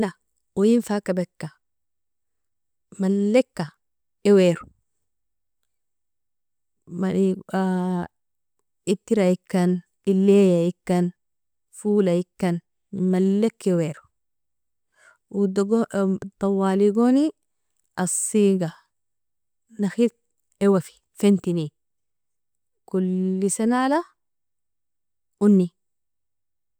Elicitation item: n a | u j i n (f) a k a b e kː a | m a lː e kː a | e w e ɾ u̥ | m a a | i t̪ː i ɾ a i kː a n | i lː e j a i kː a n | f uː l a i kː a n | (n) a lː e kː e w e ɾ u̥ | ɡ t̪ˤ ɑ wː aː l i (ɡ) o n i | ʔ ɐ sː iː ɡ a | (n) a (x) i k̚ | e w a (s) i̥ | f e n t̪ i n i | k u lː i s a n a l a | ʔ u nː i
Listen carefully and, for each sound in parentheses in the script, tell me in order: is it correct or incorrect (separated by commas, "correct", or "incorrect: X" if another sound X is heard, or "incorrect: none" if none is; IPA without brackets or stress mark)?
correct, incorrect: m, correct, correct, correct, incorrect: f